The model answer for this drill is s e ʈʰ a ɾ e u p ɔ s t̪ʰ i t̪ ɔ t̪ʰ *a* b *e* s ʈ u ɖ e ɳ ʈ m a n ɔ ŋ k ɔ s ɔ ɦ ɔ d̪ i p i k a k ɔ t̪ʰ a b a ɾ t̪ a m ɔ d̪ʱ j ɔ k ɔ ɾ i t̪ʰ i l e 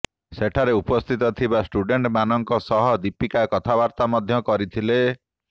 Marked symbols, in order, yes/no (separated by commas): no, no